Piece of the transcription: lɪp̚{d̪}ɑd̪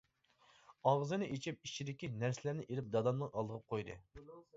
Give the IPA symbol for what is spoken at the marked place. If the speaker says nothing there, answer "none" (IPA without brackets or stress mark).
d̪